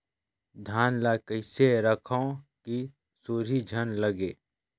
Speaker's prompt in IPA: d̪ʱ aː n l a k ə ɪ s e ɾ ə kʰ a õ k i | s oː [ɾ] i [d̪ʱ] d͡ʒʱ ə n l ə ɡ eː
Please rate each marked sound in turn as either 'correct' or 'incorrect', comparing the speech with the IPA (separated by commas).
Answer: correct, incorrect